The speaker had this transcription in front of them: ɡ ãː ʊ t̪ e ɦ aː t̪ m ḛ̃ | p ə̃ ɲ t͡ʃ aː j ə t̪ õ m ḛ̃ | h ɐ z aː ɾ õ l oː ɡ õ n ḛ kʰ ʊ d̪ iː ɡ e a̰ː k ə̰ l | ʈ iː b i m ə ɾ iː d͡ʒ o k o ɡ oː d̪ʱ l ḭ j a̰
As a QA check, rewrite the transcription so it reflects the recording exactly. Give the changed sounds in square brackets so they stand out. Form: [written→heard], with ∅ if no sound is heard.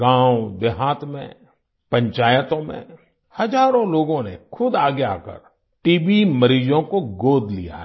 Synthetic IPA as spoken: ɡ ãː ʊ [t̪→d̪] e ɦ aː t̪ m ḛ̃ | p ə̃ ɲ t͡ʃ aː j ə t̪ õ m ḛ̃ | h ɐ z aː ɾ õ l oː ɡ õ n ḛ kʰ ʊ d̪ [iː→aː] ɡ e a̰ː k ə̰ [l→ɾ] | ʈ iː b i m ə ɾ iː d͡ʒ [o→õ] k o ɡ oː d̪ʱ l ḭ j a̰